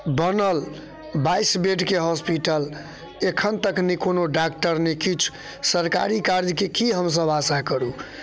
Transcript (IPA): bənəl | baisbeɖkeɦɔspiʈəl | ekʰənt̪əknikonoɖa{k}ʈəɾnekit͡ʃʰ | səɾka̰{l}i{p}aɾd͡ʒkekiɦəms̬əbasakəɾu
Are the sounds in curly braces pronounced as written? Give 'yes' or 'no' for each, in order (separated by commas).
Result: yes, no, no